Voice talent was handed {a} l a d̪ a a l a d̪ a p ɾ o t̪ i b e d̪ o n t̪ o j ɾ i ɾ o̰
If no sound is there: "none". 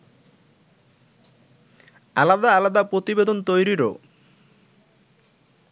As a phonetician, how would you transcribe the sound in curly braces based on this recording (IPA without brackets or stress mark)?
a